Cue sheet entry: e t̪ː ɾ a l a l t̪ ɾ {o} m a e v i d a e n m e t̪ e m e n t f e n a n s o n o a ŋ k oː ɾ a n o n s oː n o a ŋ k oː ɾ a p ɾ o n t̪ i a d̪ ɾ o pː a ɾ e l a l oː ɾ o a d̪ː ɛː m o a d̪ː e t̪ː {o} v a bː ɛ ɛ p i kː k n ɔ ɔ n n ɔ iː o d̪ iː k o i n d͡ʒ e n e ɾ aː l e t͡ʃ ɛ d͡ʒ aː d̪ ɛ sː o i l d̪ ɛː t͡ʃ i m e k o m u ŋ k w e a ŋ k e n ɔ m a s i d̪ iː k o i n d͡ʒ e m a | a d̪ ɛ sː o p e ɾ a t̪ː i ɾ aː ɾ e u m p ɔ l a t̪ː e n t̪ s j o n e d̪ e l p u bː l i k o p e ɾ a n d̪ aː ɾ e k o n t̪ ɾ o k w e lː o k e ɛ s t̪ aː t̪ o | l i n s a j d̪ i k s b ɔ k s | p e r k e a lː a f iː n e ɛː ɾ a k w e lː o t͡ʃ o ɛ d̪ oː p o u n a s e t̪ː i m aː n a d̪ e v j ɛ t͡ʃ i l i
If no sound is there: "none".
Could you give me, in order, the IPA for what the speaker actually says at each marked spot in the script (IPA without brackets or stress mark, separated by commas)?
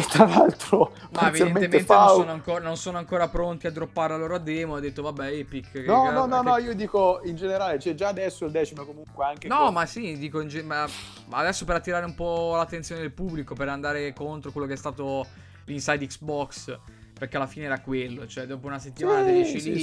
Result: o, o